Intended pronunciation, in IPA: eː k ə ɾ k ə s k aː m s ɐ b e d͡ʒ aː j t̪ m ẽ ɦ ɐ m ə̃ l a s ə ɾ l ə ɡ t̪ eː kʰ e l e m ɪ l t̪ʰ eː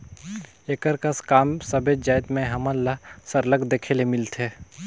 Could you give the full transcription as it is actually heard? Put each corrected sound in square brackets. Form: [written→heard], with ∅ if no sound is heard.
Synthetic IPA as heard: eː k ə ɾ k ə s k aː m s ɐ b e d͡ʒ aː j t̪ m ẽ ɦ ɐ m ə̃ l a s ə ɾ l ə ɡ [t̪→d̪] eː kʰ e l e m ɪ l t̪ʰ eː